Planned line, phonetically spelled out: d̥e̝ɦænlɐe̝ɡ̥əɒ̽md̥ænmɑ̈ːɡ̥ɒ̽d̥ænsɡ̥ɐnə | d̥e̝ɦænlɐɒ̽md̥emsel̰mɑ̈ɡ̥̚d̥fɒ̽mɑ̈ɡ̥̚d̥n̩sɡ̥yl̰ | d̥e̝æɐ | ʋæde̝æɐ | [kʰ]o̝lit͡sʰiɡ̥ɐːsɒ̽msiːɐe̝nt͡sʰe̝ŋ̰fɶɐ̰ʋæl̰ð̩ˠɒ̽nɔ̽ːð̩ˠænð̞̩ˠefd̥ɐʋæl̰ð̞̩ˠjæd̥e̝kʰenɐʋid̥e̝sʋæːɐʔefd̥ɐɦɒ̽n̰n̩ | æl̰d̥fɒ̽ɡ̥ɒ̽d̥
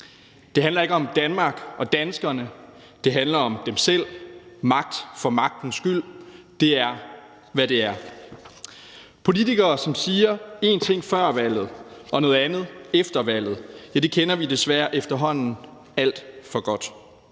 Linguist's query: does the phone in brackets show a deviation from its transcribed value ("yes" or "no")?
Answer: yes